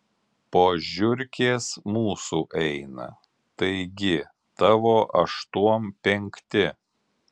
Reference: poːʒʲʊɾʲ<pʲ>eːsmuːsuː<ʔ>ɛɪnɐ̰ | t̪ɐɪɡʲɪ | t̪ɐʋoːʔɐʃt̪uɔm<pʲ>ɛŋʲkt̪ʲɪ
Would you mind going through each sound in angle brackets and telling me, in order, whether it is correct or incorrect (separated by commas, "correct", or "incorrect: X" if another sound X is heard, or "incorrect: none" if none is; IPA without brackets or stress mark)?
incorrect: kʲ, correct, correct